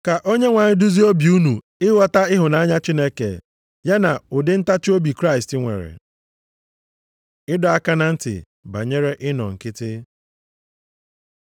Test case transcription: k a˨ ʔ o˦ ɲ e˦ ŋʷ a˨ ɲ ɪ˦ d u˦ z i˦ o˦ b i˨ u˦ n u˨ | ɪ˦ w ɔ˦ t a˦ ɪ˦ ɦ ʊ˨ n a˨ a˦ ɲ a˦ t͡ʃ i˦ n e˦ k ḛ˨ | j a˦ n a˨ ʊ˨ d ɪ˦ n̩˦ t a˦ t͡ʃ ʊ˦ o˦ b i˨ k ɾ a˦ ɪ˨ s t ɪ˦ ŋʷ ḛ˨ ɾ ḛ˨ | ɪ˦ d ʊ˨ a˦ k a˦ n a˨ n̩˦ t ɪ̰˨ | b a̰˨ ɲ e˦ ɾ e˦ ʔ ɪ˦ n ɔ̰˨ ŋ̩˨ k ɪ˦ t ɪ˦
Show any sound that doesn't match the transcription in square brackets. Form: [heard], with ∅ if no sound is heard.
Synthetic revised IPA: k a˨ ʔ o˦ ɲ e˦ ŋʷ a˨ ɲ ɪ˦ d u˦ z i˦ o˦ b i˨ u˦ n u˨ | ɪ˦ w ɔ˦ t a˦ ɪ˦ ɦ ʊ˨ n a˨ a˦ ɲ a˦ t͡ʃ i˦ n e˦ k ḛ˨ | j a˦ n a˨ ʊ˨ d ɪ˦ n̩˦ t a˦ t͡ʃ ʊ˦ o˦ b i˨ k ɾ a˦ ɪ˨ s t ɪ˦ ŋʷ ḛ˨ ɾ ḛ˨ | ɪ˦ d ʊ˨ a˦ k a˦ n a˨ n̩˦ t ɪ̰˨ | b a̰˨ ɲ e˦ ɾ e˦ ʔ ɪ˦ n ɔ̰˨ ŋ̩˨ k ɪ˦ t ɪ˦

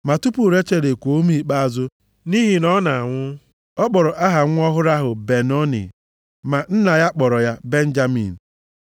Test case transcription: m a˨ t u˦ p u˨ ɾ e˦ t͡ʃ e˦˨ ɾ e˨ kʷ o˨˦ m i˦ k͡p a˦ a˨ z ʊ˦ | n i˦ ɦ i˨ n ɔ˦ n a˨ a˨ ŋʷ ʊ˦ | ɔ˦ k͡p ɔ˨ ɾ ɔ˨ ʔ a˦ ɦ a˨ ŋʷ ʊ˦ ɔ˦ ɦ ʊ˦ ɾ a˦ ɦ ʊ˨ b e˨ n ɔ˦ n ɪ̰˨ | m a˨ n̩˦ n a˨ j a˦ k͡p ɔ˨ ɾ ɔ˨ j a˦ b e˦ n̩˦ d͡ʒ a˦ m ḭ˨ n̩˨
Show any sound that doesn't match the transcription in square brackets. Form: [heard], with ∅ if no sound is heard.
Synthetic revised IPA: m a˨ t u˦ p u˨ ɾ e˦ t͡ʃ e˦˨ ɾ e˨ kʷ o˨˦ m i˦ k͡p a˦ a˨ z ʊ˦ | n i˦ ɦ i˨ n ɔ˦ n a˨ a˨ ŋʷ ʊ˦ | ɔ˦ k͡p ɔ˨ ɾ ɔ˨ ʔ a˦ ɦ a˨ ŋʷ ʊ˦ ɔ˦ ɦ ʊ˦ ɾ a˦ ɦ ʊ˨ b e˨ n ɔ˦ n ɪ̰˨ | m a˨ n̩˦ n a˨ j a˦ k͡p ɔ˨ ɾ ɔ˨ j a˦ b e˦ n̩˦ d͡ʒ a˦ m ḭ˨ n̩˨

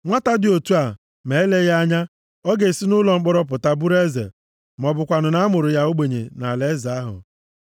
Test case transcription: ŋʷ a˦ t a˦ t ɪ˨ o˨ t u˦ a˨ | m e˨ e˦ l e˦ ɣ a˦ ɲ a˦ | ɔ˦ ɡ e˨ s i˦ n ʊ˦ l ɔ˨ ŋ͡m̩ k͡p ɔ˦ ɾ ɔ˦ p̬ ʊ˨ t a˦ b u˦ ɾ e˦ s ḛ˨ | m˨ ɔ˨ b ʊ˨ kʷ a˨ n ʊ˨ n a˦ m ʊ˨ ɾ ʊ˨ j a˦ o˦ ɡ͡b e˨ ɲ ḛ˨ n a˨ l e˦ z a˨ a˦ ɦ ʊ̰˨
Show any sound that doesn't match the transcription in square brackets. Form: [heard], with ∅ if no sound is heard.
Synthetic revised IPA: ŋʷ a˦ t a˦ [d] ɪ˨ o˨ t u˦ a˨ | m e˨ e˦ l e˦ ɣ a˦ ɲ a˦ | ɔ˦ ɡ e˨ s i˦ n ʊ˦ l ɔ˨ ŋ͡m̩ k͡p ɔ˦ ɾ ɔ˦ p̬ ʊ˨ t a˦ b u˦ ɾ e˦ [z] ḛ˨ | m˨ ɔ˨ b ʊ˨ kʷ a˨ n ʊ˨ n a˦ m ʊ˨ ɾ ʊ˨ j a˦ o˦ ɡ͡b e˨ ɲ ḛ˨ n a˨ l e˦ z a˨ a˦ ɦ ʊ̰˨

